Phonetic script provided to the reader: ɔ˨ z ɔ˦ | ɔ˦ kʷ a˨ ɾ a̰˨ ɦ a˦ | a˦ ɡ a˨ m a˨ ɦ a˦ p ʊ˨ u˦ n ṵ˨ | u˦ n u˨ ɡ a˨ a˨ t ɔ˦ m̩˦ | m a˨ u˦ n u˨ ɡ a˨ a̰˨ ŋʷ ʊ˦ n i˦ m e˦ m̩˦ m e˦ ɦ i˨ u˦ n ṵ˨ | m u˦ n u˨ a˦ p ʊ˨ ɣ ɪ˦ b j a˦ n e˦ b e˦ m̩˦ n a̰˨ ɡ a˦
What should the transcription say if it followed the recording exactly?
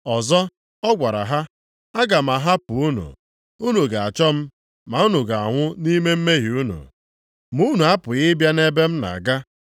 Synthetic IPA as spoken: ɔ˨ z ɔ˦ | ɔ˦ ɡʷ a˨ ɾ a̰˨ ɦ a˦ | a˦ ɡ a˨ m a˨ ɦ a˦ p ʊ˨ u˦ n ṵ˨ | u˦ n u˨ ɡ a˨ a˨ t͡ʃ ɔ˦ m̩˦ | m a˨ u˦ n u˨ ɡ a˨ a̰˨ ŋʷ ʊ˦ n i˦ m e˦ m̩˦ m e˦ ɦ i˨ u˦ n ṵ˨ | m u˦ n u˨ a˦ p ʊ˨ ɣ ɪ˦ b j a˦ n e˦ b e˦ m̩˦ n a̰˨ ɡ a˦

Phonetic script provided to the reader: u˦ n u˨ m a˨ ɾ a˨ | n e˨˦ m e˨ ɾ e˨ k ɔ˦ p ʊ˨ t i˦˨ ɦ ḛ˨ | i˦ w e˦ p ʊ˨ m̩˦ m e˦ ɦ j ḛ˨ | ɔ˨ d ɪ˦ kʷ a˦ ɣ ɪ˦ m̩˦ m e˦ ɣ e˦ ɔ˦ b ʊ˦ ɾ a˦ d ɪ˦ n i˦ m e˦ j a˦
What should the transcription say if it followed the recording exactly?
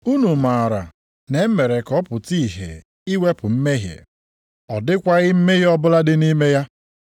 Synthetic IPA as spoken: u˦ n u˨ m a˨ ɾ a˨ | n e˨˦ m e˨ ɾ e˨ k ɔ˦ p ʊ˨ t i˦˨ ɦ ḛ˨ | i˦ w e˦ p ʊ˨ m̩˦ m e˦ ɦ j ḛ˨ | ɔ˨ d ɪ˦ kʷ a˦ ɣ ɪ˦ m̩˦ m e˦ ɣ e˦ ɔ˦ b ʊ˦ l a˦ d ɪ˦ n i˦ m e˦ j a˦

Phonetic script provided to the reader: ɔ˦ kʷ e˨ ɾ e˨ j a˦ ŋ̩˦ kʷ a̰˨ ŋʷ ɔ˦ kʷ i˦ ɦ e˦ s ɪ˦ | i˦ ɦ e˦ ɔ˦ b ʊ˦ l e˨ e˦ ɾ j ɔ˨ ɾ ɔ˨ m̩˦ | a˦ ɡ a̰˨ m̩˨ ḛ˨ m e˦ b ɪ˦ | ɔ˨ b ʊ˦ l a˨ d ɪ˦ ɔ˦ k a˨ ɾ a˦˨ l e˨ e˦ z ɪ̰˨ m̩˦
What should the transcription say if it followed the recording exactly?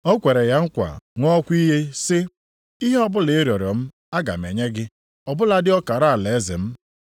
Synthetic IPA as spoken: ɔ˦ kʷ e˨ ɾ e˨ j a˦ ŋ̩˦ kʷ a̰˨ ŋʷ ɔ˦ kʷ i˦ ɦ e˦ s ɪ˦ | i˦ ɦ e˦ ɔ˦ b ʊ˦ l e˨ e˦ ɾ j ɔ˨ ɾ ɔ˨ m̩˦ | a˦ ɡ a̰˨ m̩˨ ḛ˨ ɲ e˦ ɡ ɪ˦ | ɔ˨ b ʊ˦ l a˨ d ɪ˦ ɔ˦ k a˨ ɾ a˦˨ l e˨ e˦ z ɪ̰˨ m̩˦

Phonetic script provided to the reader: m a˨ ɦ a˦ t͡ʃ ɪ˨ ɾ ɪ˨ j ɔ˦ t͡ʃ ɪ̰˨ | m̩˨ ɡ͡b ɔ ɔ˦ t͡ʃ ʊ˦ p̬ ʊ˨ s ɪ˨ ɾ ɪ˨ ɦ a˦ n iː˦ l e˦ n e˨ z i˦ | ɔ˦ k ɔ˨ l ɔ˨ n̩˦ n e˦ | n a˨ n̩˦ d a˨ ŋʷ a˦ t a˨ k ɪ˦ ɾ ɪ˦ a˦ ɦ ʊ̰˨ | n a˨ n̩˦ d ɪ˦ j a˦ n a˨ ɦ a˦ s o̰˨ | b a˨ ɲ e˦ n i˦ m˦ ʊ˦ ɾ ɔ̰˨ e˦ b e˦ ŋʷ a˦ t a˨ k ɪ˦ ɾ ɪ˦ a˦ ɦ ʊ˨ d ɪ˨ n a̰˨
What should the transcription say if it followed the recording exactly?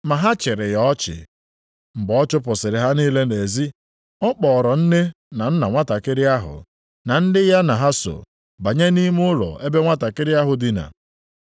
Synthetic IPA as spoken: m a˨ ɦ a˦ t͡ʃ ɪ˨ ɾ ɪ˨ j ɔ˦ t͡ʃ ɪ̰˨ | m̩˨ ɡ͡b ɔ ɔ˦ t͡ʃ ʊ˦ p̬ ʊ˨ s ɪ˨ ɾ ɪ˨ ɦ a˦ n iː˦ l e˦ n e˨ z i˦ | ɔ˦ k͡p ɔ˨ ɾ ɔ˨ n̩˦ n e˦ | n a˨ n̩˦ n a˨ ŋʷ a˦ t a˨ k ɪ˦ ɾ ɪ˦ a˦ ɦ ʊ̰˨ | n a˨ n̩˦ d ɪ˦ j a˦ n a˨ ɦ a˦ s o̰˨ | b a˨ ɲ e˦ n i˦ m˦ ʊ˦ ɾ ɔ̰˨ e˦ b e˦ ŋʷ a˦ t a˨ k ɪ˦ ɾ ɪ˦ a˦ ɦ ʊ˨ d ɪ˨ n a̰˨

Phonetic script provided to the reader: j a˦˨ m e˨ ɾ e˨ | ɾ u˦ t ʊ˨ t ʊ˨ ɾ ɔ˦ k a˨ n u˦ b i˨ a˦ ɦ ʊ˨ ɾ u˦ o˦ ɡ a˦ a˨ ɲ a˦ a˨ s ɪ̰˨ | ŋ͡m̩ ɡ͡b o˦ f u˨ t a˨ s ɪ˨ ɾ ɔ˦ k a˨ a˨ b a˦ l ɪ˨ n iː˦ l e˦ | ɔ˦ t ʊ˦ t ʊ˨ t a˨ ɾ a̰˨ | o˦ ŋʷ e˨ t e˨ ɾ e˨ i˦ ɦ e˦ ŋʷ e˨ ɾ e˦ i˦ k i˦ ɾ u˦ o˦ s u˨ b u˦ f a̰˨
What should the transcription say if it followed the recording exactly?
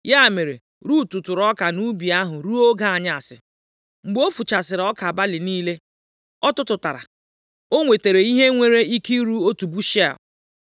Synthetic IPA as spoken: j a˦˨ m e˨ ɾ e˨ | ɾ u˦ t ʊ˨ t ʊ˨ ɾ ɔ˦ k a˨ n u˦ b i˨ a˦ ɦ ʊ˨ ɾ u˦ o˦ ɡ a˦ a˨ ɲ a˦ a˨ s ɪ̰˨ | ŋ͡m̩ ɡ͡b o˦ f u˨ t͡ʃ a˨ s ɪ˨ ɾ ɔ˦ k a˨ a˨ b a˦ l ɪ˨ n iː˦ l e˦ | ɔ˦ t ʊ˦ t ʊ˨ t a˨ ɾ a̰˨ | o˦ ŋʷ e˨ t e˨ ɾ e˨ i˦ ɦ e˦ ŋʷ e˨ ɾ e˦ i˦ k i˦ ɾ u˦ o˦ t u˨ b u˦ ʃ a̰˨

